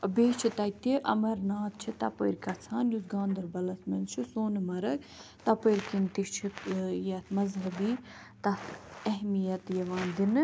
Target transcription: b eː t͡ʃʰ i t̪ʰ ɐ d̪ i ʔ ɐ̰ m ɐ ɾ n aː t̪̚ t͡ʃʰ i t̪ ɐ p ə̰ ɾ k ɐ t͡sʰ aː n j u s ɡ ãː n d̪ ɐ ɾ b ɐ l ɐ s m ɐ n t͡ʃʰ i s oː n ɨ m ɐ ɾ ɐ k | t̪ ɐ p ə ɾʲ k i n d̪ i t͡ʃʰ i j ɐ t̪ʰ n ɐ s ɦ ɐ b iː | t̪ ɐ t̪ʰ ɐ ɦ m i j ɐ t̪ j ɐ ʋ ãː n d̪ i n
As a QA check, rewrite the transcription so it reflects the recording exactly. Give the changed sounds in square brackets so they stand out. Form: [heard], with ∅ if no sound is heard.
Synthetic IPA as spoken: b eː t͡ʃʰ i [t̪] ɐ [t̪] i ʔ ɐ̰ m ɐ ɾ n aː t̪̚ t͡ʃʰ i t̪ ɐ p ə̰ ɾ k ɐ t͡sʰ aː n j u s ɡ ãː n d̪ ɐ ɾ b ɐ l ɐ s m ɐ n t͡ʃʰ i s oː n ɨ m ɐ ɾ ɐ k | t̪ ɐ p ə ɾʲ k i n [t̪] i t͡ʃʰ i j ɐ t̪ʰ [m] ɐ [z] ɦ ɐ b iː | t̪ ɐ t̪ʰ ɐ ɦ m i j ɐ t̪ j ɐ ʋ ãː n d̪ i n